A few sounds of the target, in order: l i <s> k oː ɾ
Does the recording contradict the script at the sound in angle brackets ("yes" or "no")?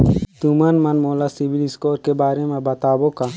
no